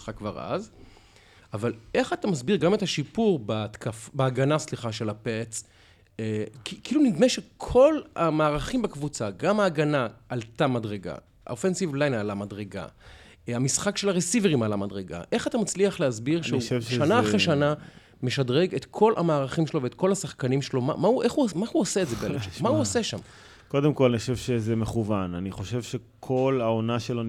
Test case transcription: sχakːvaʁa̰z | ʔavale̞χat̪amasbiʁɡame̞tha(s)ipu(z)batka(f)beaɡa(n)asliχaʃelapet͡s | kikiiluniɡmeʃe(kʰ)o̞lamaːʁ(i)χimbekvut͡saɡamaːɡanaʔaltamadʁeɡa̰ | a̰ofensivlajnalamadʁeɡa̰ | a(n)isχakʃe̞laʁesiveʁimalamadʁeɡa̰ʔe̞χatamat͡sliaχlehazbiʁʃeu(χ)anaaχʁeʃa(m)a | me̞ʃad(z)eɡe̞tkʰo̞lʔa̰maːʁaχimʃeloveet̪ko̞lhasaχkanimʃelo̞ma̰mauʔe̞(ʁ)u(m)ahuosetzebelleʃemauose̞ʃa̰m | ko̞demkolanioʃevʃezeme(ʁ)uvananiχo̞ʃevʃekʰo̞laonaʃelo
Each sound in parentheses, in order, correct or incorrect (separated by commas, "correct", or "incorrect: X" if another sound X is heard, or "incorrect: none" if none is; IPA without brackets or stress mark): incorrect: ʃ, incorrect: ʁ, correct, correct, correct, incorrect: a, incorrect: m, incorrect: ʃ, incorrect: n, incorrect: ʁ, incorrect: χ, correct, incorrect: χ